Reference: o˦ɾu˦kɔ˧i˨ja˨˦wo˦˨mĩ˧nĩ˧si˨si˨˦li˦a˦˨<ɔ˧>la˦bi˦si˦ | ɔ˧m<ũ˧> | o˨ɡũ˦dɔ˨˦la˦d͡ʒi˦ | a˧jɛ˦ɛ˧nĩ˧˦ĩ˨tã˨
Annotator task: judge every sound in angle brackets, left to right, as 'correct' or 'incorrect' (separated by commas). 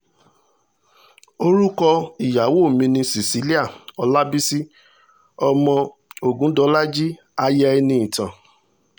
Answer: correct, incorrect